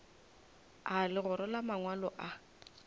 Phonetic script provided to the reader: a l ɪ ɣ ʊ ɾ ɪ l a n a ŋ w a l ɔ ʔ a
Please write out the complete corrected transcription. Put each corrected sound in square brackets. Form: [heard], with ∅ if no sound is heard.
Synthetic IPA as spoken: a l ɪ ɣ ʊ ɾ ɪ l a [m] a ŋ w a l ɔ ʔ a